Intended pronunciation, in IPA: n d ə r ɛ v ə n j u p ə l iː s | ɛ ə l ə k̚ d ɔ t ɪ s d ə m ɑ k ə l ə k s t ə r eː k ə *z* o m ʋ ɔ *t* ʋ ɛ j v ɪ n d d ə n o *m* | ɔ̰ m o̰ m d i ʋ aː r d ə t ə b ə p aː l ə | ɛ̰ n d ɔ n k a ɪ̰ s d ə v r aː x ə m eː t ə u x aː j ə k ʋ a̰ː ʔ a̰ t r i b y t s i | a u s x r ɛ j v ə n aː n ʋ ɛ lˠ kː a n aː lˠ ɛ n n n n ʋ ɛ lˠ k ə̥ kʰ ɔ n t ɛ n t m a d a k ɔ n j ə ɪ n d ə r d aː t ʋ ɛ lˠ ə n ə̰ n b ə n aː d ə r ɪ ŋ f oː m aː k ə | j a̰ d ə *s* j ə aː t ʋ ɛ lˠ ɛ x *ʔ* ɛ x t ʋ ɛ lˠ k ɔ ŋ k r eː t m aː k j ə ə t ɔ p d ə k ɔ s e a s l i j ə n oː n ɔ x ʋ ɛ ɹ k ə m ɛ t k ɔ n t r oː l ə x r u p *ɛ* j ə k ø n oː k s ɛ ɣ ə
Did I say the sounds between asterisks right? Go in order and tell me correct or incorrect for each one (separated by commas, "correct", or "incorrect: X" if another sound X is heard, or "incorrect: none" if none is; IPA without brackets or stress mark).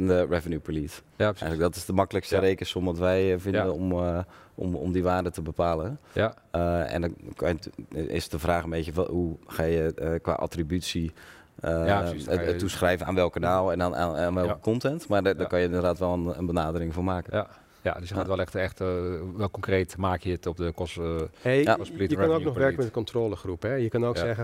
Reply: incorrect: s, correct, correct, correct, incorrect: t, correct